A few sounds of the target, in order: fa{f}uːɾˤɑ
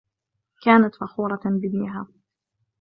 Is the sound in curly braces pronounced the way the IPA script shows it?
no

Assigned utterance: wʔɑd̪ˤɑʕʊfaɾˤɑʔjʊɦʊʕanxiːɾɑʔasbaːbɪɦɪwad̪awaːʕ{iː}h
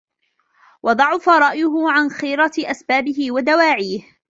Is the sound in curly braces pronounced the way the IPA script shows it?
yes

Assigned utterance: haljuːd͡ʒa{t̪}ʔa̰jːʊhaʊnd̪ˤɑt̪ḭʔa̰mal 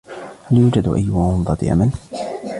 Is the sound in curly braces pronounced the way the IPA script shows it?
no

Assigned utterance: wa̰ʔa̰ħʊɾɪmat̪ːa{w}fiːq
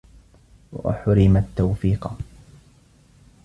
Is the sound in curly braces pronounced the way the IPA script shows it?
yes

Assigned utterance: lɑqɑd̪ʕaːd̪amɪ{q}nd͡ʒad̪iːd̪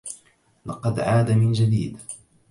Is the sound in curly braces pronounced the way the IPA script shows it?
no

